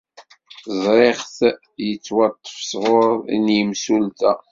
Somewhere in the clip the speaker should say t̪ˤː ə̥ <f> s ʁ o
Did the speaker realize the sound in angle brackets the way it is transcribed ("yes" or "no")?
yes